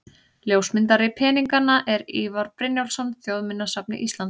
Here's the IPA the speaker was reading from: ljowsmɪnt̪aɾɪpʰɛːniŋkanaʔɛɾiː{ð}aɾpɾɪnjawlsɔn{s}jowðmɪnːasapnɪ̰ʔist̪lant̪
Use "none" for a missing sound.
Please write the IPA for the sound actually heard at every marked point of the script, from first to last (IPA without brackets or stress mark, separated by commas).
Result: v, θ